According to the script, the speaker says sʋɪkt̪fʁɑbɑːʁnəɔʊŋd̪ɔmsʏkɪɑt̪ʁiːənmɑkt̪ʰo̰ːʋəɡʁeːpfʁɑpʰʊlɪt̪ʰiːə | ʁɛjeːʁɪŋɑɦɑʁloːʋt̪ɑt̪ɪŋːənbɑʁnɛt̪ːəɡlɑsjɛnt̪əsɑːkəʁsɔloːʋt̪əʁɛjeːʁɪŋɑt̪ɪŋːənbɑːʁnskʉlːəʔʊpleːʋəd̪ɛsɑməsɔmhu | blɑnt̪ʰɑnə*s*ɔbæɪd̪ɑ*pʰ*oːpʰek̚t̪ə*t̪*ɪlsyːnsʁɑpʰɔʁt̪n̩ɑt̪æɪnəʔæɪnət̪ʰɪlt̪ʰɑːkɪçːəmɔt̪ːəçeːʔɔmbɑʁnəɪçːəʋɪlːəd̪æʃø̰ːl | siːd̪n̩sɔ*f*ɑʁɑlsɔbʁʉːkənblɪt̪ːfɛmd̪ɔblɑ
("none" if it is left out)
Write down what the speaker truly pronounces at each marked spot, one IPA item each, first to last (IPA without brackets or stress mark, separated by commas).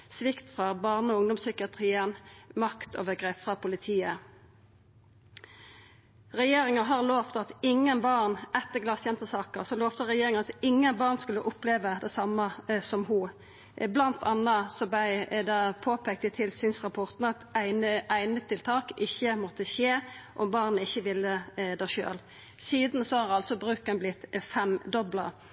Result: s, pʰ, t̪ʰ, h